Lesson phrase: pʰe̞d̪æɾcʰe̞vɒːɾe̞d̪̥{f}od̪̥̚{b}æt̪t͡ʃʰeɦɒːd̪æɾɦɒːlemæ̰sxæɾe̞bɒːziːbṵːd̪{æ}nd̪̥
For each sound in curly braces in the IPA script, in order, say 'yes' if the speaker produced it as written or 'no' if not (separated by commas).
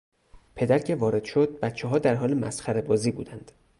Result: no, yes, yes